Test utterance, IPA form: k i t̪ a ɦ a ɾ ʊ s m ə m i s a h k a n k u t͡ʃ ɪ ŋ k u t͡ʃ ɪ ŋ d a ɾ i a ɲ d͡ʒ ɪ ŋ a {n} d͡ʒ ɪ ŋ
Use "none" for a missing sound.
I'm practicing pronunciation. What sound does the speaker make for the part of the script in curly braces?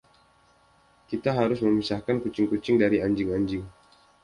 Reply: ɲ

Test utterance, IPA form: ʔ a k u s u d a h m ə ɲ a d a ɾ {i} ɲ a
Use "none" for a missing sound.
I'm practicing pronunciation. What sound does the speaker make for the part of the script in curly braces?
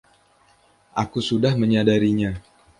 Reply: i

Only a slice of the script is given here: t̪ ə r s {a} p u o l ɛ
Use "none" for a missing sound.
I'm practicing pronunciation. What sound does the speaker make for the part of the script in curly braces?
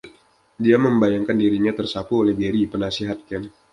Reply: a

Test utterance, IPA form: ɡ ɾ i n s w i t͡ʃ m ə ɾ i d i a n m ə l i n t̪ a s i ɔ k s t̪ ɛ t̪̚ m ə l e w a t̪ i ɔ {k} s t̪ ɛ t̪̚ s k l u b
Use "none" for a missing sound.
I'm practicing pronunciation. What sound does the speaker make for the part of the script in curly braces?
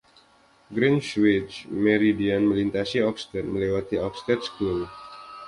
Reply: k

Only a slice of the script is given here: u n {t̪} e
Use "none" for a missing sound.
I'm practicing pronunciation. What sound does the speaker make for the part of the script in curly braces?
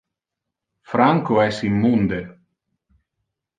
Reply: d̪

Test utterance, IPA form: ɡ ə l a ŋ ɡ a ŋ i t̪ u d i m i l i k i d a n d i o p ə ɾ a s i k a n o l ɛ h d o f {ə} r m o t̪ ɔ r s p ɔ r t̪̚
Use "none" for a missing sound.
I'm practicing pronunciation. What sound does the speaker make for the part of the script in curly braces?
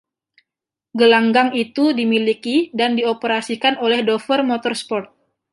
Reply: ə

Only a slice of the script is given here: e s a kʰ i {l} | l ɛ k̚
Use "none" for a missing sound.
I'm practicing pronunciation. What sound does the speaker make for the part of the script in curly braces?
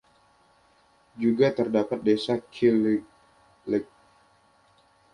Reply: l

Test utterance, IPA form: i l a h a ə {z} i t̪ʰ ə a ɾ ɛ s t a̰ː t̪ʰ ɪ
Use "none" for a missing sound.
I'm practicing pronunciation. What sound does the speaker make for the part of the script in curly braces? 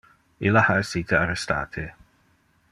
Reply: s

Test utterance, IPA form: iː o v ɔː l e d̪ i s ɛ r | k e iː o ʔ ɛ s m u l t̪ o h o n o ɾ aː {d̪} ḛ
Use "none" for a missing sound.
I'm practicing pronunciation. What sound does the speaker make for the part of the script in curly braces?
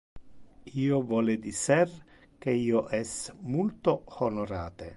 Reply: t̪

